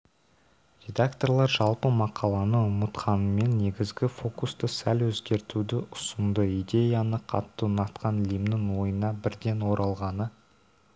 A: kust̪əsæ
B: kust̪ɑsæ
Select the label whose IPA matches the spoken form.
A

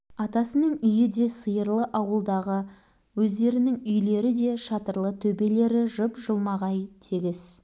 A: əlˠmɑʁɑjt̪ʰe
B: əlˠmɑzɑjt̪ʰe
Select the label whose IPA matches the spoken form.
A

